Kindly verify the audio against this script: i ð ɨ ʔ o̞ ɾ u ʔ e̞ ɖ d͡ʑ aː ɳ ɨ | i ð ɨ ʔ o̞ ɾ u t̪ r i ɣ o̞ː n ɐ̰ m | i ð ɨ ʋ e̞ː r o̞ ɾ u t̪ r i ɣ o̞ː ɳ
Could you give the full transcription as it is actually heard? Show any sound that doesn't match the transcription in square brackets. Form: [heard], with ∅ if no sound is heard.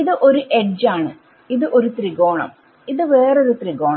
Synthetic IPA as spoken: i ð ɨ ʔ o̞ ɾ u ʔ e̞ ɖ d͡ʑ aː ɳ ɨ | i ð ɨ ʔ o̞ ɾ u t̪ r i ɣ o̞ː [ɳ] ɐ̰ m | i ð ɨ ʋ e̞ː r o̞ ɾ u t̪ r i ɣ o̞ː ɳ

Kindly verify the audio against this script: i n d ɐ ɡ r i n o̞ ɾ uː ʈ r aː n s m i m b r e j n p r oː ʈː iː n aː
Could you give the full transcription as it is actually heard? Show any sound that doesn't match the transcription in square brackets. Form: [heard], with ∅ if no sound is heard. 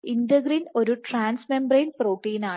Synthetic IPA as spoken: i n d ɐ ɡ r i n o̞ ɾ [u] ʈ r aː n s m [e] m b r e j n p r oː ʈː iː n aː

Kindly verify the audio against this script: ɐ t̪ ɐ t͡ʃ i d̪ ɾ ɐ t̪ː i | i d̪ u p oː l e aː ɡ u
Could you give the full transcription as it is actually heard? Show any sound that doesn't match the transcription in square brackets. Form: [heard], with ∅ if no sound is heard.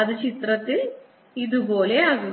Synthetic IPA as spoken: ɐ [d̪] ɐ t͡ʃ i [t̪] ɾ ɐ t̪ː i | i d̪ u [b] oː l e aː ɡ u

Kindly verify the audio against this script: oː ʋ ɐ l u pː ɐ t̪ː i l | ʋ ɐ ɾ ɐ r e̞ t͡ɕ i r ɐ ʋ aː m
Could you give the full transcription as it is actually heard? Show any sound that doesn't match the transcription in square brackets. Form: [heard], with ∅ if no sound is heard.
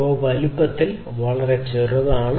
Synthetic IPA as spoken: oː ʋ ɐ l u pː ɐ t̪ː i l | ʋ ɐ [ɭ] ɐ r e̞ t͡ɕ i r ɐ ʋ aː [ɳ]

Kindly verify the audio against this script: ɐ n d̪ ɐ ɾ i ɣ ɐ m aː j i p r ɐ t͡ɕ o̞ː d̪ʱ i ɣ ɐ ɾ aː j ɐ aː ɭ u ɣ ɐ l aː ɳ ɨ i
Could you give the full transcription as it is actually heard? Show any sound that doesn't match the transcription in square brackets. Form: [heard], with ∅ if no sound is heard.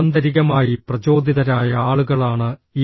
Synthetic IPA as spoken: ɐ n d̪ ɐ ɾ i ɣ ɐ m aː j i p r ɐ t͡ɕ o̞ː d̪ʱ i [ð] ɐ ɾ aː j ɐ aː ɭ u ɣ ɐ [ɭ] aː ɳ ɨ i

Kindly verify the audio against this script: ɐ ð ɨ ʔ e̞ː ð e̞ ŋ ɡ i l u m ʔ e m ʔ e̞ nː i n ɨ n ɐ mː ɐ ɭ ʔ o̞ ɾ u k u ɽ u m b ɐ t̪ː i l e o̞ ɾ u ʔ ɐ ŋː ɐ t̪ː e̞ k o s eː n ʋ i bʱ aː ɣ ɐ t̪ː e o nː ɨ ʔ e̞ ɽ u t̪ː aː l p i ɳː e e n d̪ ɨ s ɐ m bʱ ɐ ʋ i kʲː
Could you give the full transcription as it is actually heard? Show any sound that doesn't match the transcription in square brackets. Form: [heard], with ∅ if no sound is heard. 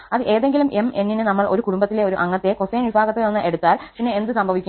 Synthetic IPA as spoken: ɐ ð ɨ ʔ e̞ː ð e̞ ŋ ɡ i l u m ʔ e m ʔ e̞ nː i n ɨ n ɐ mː ɐ ɭ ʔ o̞ ɾ u k u ɽ u m b ɐ t̪ː i l e o̞ ɾ u ʔ ɐ ŋː ɐ t̪ː e̞ k o s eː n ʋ i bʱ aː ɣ ɐ t̪ː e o nː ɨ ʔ e̞ ɽ u t̪ː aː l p i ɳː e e n d̪ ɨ s ɐ m bʱ ɐ ʋ i kʲː

